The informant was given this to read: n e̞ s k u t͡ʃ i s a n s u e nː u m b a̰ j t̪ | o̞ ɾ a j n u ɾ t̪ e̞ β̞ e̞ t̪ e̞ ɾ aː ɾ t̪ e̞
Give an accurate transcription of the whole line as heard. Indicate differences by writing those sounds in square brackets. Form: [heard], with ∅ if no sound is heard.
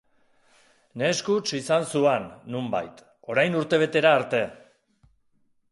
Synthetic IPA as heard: n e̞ s k u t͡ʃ i s a n s u e nː u m b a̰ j t̪ | o̞ ɾ a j n u ɾ t̪ e̞ β̞ e̞ t̪ e̞ ɾ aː ɾ t̪ e̞